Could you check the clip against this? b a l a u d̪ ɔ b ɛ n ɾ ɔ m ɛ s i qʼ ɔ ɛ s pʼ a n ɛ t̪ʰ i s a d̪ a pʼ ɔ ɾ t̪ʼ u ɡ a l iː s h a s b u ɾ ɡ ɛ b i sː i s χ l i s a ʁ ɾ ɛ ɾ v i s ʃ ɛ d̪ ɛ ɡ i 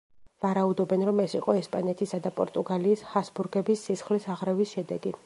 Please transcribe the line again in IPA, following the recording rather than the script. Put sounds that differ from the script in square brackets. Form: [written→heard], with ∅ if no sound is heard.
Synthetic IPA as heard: [b→v] a [l→ɾ] a u d̪ ɔ b ɛ n ɾ ɔ m ɛ s i qʼ ɔ ɛ s pʼ a n ɛ t̪ʰ i s a d̪ a pʼ ɔ ɾ t̪ʼ u ɡ a l iː s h a s b u ɾ ɡ ɛ b i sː i s χ l i s a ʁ ɾ ɛ [ɾ→∅] v i s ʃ ɛ d̪ ɛ ɡ i